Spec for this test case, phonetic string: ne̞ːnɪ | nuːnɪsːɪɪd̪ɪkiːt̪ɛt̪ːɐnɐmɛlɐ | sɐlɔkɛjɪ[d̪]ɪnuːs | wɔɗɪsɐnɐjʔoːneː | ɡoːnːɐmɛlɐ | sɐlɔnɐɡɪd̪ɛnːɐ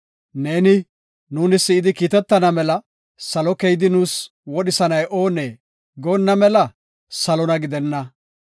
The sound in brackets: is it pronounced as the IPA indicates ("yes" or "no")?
yes